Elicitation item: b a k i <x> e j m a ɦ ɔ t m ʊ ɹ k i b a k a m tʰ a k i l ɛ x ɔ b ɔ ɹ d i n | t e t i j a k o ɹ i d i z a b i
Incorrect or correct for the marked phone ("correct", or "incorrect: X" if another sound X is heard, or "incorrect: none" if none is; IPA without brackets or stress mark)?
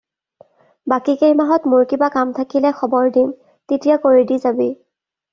incorrect: k